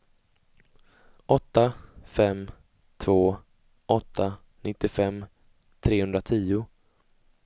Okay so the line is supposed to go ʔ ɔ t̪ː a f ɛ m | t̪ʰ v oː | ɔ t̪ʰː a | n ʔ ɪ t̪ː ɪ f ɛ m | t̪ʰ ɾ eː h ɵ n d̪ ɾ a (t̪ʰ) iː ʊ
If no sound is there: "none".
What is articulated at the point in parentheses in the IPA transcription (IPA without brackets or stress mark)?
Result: t̪ʰ